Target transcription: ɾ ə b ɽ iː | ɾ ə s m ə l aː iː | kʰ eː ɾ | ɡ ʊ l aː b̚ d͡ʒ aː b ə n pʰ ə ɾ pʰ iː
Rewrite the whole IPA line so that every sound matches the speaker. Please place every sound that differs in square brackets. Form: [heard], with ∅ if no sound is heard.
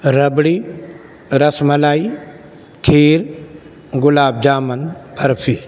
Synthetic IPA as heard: ɾ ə b ɽ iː | ɾ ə s m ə l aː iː | kʰ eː ɾ | ɡ ʊ l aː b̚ d͡ʒ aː [m] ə n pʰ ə ɾ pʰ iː